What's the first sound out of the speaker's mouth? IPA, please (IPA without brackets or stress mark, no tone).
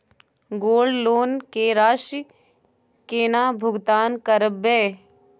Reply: ɡ